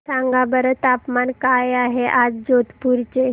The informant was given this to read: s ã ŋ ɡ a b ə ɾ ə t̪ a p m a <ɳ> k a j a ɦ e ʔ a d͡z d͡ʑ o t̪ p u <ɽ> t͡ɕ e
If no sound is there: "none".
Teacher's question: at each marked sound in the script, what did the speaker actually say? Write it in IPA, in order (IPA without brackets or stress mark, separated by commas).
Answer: n, ɾ